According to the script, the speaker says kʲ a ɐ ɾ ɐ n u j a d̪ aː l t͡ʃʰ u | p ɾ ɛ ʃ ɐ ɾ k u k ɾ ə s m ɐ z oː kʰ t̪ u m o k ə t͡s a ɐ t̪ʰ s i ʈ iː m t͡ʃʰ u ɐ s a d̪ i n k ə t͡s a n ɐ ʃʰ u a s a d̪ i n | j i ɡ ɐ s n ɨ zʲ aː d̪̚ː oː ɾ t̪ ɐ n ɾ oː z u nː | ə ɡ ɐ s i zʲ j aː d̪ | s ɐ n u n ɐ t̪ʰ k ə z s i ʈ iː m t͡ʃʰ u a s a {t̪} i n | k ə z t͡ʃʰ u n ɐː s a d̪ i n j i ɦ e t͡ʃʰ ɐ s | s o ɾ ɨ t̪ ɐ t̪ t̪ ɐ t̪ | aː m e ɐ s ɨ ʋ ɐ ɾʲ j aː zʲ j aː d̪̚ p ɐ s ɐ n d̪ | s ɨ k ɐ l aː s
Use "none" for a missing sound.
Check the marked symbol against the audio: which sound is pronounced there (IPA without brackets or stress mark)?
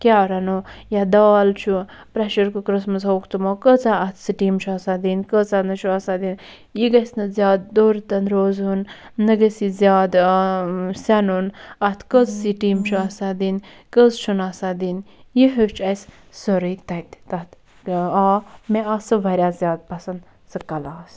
d̪